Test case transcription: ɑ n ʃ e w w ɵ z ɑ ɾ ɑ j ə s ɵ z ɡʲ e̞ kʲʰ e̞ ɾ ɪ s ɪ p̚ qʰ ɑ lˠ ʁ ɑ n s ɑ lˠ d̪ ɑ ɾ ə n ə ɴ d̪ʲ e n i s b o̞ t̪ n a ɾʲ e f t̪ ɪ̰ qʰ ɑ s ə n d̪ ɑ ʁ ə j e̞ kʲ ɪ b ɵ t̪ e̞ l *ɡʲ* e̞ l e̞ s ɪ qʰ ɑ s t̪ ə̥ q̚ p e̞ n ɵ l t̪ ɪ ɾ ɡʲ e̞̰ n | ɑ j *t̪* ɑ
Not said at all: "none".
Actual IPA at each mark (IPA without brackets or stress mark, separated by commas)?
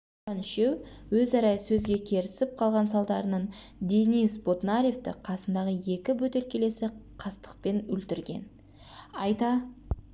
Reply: kʲ, t̪